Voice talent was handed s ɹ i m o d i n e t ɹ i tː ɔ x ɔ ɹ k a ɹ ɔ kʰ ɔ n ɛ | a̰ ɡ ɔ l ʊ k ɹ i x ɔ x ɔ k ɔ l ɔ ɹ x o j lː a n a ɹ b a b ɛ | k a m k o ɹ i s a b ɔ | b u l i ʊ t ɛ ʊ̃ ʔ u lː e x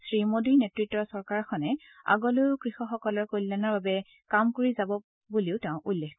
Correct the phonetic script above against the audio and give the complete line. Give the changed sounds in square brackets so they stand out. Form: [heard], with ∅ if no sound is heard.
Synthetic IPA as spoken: s ɹ i m o d i n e t ɹ i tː ɔ [s] ɔ ɹ k a ɹ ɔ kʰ ɔ n ɛ | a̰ ɡ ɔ l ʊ k ɹ i x ɔ x ɔ k ɔ l ɔ ɹ [k] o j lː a n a ɹ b a b ɛ | k a m k o ɹ i [z] a b ɔ | b u l i ʊ t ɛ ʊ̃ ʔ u lː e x